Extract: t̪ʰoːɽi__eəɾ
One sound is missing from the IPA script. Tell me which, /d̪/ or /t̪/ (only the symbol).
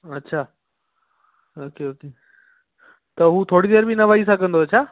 d̪